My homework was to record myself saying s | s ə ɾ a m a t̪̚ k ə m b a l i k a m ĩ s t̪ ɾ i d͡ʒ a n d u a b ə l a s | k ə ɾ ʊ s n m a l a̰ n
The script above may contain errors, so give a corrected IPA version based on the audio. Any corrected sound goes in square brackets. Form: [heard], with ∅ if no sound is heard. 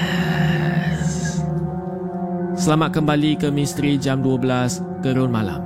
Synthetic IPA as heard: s | s ə [l] a m a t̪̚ k ə m b a l i k [ə] m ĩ s t̪ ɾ i d͡ʒ a [m] d u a b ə l a s | k ə ɾ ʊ [∅] n m a l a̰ [m]